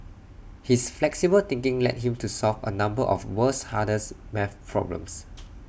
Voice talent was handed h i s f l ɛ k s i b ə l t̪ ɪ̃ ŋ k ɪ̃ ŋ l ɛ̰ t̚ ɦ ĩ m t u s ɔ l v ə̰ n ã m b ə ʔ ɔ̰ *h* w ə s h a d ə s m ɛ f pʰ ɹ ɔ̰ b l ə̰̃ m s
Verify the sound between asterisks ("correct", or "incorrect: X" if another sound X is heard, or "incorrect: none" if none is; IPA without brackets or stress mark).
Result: incorrect: f